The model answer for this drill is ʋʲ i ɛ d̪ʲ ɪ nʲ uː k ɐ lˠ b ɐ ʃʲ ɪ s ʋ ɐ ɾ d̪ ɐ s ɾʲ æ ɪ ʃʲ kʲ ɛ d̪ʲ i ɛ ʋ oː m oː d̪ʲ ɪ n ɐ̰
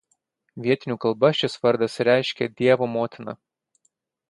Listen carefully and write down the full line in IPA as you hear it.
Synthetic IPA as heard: ʋʲ i ɛ t̪ʲ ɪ nʲ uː k ɐ lˠ b ɐ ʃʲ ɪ s ʋ ɐ ɾ d̪ ɐ s ɾʲ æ ɪ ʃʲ kʲ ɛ d̪ʲ i ɛ ʋ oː m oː t̪ʲ ɪ n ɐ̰

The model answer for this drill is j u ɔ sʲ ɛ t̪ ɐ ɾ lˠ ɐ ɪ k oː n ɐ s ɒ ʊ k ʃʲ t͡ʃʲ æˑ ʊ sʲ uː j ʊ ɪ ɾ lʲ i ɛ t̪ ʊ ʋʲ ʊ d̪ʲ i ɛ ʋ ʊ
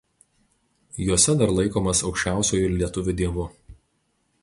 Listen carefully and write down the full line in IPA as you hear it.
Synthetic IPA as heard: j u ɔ sʲ ɛ d̪ ɐ ɾ lˠ ɐ ɪ k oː m ɐ s ɒ ʊ k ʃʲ t͡ʃʲ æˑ ʊ sʲ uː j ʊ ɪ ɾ lʲ i ɛ t̪ ʊ ʋʲ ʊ d̪ʲ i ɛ ʋ ʊ

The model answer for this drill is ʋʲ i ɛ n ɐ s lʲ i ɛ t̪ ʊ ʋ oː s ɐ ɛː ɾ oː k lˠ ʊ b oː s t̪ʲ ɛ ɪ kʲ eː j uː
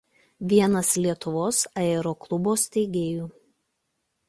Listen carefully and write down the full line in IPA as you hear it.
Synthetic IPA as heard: ʋʲ i ɛ n ɐ s lʲ i ɛ t̪ ʊ ʋ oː s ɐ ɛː ɾ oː k lˠ ʊ b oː s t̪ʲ ɛ ɪ ɡʲ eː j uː

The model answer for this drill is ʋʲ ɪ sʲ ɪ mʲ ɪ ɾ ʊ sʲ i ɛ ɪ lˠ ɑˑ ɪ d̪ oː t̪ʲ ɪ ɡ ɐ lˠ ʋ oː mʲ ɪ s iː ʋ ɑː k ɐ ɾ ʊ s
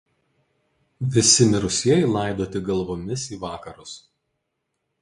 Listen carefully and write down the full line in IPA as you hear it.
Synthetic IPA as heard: ʋʲ ɪ sʲ ɪ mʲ ɪ ɾ ʊ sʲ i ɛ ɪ lˠ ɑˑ ɪ d̪ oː t̪ʲ ɪ ɡ ɐ lˠ ʋ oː mʲ ɪ s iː ʋ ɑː k ɐ ɾ ʊ s

